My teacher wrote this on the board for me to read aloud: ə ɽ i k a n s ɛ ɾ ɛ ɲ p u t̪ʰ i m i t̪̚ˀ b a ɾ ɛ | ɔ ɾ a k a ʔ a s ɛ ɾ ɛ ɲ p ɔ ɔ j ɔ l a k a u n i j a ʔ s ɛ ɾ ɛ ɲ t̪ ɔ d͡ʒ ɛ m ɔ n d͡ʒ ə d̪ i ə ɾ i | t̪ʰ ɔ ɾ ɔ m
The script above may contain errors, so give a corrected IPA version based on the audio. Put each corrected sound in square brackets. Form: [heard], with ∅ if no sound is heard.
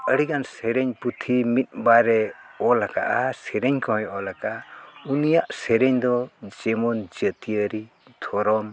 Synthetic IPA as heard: ə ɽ i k a n s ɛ ɾ ɛ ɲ p u t̪ʰ i m i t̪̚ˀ b a ɾ ɛ | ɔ [l] a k a ʔ a s ɛ ɾ ɛ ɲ [k] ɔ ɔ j ɔ l a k a u n i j a ʔ s ɛ ɾ ɛ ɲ [d̪] ɔ d͡ʒ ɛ m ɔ n d͡ʒ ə [t̪] i ə ɾ i | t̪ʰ ɔ ɾ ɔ m

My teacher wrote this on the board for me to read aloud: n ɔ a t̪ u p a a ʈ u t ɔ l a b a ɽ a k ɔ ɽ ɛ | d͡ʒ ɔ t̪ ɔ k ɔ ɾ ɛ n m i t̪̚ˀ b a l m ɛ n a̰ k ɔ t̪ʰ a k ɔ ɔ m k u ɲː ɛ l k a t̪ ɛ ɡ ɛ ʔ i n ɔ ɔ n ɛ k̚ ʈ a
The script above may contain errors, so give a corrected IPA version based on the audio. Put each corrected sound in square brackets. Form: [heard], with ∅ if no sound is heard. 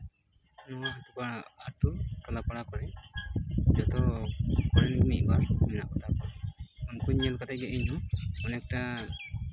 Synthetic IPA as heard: n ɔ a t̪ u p a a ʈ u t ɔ l a [p] a ɽ a k ɔ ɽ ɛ | d͡ʒ ɔ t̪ ɔ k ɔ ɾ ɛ n m i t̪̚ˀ b a [ɾ] m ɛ n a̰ k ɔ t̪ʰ a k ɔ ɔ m k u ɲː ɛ l k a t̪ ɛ ɡ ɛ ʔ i [ɲ] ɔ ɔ n ɛ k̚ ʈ a

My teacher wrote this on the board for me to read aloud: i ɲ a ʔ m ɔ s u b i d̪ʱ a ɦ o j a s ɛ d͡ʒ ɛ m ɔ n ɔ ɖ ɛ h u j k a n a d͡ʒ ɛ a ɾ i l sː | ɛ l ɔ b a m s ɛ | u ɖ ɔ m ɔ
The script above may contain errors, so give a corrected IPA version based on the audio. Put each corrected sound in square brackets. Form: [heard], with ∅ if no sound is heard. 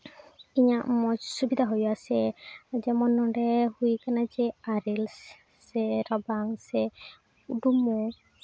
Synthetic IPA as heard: i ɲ a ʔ m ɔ s u b i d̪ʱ a ɦ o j a s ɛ d͡ʒ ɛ m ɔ n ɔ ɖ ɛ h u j k a n a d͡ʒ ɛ a ɾ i l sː | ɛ [ɾ] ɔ b a [ŋ] s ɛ | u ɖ [u] m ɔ

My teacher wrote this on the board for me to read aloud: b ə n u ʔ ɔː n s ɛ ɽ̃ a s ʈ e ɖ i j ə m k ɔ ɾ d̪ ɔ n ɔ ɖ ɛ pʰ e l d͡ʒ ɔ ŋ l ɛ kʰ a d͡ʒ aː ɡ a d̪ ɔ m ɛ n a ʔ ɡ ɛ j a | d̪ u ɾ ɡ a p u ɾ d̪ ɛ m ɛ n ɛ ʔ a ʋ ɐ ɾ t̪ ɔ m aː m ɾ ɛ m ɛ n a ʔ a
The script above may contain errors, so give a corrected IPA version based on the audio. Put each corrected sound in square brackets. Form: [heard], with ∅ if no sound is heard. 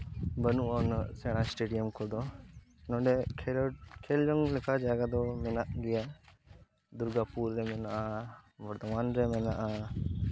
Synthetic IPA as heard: b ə n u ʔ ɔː n s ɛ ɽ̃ a s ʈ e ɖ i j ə m k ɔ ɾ d̪ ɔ n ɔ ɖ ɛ [kʰ] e l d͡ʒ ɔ ŋ l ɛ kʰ a d͡ʒ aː ɡ a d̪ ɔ m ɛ n a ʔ ɡ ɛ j a | d̪ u ɾ ɡ a p u ɾ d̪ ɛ m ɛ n [a] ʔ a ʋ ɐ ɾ t̪ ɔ m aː [n] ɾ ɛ m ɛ n a ʔ a

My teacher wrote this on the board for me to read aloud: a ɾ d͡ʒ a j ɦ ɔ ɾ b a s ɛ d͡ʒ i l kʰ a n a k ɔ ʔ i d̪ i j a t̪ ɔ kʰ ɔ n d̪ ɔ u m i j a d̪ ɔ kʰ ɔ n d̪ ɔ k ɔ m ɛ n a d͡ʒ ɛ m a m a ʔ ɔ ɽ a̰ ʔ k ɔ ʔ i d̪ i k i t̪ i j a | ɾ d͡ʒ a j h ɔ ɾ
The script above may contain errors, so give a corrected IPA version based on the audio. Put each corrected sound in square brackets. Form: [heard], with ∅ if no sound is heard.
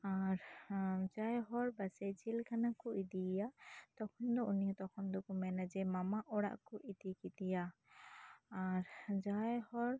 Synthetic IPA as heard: a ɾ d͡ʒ a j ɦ ɔ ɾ b a s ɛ d͡ʒ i l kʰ a n a k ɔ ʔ i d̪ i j a t̪ ɔ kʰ ɔ n d̪ ɔ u [n] i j a [t̪] ɔ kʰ ɔ n d̪ ɔ k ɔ m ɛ n a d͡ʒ ɛ m a m a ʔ ɔ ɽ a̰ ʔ k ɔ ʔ i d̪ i k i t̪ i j a | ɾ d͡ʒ a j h ɔ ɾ

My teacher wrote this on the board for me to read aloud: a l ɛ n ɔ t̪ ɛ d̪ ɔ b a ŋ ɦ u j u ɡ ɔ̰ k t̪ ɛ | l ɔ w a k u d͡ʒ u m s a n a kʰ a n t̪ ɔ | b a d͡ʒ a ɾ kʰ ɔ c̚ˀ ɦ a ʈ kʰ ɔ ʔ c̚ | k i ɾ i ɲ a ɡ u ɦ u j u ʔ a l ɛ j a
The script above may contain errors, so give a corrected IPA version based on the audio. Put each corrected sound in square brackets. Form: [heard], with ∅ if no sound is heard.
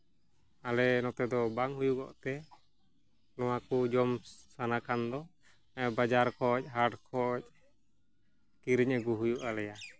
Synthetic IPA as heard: a l ɛ n ɔ t̪ ɛ d̪ ɔ b a ŋ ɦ u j u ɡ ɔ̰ [ʔ] t̪ ɛ | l ɔ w a k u d͡ʒ [ɔ] m s a n a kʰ a n [d̪] ɔ | b a d͡ʒ a ɾ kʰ ɔ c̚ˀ ɦ a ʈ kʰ ɔ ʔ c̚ | k i ɾ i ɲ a ɡ u ɦ u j u ʔ a l ɛ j a

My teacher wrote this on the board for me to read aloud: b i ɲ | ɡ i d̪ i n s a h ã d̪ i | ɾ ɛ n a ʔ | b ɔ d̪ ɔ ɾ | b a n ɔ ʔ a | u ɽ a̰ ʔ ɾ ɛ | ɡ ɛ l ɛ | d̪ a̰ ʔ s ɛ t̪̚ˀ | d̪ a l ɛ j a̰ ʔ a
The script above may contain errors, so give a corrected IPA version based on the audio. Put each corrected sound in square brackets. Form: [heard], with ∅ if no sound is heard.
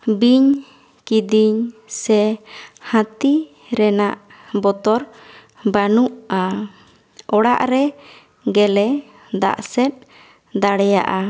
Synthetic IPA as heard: b i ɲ | [k] i d̪ i [ɲ] s [ɛ] h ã [t̪] i | ɾ ɛ n a ʔ | b ɔ [t̪] ɔ ɾ | b a n [u] ʔ a | [ɔ] ɽ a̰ ʔ ɾ ɛ | ɡ ɛ l ɛ | d̪ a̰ ʔ s ɛ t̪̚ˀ | d̪ a [ɽ] ɛ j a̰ ʔ a

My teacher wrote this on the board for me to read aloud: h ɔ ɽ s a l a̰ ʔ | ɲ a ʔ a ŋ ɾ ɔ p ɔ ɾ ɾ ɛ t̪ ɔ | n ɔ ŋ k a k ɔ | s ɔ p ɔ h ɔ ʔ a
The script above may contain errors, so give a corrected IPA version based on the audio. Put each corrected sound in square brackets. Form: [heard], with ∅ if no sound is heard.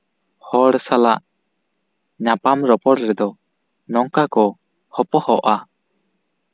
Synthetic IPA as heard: h ɔ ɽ s a l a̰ ʔ | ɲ a [p] a [m] ɾ ɔ p ɔ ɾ ɾ ɛ [d̪] ɔ | n ɔ ŋ k a k ɔ | [h] ɔ p ɔ h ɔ ʔ a

